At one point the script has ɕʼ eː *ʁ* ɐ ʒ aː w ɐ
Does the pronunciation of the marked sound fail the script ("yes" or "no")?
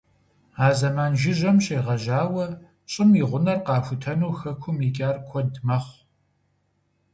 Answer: no